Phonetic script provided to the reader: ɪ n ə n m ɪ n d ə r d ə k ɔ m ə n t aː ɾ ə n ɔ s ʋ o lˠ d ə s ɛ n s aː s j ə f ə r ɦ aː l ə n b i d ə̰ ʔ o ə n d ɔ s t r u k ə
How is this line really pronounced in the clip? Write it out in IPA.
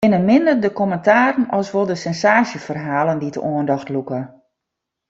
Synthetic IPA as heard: ɪ n ə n m ɪ n d ə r d ə k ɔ m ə n t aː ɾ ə n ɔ s ʋ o lˠ d ə s ɛ n s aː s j ə f ə r ɦ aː l ə n d i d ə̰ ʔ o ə n d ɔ x t l u k ə